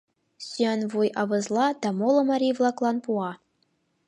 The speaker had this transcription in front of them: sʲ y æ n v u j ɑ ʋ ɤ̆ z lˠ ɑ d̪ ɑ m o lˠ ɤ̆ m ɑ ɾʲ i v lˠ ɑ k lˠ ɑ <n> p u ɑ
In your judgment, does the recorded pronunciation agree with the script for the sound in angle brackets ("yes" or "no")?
yes